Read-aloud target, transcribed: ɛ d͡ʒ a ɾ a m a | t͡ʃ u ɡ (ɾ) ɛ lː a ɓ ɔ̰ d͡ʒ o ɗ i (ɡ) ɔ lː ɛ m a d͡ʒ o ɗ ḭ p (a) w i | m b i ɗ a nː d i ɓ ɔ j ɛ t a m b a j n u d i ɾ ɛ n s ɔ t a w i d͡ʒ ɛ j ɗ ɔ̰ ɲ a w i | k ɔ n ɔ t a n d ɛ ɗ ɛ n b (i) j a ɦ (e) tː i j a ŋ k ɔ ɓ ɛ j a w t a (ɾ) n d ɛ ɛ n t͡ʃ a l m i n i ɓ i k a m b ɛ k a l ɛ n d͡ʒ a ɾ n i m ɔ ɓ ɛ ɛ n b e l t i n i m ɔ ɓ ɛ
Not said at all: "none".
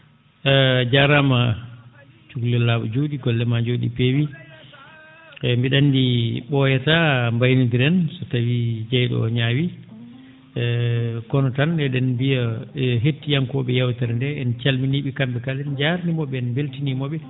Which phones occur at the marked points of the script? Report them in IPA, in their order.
l, ɡ, e, i, e, ɾ

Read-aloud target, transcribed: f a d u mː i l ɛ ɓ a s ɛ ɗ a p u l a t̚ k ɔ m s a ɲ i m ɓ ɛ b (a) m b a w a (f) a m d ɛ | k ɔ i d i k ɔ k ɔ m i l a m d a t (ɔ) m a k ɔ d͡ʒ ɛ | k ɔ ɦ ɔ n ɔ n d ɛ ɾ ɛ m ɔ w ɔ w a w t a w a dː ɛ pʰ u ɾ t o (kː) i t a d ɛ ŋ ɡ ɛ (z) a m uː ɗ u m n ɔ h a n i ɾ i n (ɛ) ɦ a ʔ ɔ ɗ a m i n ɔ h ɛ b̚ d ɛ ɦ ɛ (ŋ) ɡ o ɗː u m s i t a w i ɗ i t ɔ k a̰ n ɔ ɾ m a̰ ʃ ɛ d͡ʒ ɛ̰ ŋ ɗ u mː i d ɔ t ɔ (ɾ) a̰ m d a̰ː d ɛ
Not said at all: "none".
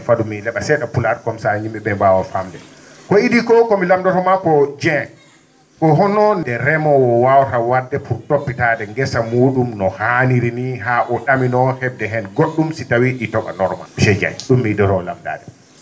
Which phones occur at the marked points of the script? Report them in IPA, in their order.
ɛ, f, ɔ, pː, s, i, n, l

